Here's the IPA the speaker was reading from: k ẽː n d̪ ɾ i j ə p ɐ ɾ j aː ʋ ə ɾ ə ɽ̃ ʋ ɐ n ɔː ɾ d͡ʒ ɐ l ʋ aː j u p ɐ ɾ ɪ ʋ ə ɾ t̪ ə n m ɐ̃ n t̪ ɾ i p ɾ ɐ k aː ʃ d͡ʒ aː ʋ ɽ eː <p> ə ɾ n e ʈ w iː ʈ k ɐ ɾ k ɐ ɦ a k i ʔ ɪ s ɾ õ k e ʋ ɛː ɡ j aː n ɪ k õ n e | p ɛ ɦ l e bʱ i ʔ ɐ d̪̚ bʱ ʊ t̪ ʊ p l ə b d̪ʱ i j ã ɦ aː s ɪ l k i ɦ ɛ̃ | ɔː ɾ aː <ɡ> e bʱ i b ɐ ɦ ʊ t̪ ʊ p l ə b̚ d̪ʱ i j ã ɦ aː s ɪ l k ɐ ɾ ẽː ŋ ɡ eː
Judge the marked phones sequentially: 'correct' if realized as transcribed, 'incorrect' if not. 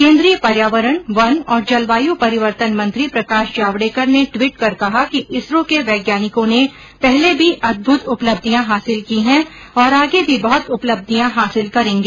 incorrect, correct

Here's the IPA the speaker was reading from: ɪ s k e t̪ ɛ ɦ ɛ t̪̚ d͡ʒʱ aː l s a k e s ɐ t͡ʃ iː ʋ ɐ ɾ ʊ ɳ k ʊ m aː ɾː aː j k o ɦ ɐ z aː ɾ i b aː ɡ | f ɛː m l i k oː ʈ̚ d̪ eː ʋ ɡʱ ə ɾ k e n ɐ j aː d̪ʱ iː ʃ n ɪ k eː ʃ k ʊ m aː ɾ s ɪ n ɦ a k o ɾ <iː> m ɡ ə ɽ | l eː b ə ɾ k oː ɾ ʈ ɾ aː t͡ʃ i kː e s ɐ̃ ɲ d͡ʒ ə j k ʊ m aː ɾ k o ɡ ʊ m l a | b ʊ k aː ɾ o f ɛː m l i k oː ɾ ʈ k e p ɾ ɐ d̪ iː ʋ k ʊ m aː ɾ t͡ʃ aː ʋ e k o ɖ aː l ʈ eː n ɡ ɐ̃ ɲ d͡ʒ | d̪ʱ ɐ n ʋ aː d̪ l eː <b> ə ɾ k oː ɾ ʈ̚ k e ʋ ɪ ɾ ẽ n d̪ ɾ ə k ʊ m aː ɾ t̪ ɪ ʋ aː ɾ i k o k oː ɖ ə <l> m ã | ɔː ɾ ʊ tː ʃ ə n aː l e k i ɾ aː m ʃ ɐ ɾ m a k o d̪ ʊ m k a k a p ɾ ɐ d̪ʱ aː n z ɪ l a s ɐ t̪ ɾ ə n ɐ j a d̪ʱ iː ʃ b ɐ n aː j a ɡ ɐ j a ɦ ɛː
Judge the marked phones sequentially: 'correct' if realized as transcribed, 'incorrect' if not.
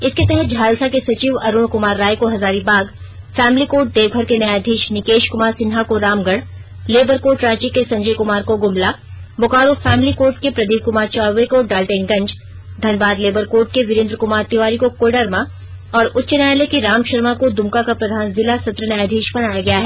incorrect, correct, incorrect

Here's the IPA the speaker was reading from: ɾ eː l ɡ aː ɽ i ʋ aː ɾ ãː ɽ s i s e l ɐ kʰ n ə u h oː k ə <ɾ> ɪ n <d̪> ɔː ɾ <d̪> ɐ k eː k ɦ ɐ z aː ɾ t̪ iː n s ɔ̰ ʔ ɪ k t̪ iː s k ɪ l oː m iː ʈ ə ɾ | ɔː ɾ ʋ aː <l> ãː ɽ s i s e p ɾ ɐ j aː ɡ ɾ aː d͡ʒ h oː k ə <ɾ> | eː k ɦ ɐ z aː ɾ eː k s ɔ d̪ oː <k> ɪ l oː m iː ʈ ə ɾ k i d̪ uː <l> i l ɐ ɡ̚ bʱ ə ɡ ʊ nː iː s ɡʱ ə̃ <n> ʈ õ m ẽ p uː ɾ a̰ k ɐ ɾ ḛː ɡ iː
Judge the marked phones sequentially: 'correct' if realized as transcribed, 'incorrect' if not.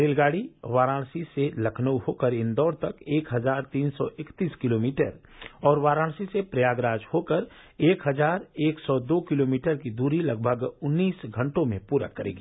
correct, correct, incorrect, incorrect, correct, correct, incorrect, incorrect

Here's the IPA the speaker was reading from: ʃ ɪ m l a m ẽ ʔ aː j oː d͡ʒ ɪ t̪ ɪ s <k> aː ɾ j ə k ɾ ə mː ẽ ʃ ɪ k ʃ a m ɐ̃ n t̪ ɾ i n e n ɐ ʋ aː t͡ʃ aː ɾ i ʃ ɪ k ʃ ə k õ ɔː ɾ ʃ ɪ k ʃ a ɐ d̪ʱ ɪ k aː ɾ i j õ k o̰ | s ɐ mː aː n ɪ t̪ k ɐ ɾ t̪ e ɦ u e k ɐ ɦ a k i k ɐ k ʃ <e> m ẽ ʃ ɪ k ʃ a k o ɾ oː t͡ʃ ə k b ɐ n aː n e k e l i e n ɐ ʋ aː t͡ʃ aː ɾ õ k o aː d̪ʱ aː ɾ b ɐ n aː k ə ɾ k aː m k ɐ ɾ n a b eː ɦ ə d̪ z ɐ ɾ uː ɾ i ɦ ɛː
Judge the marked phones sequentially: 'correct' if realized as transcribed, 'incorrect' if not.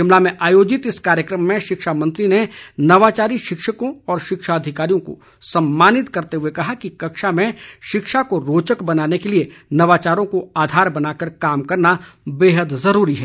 correct, incorrect

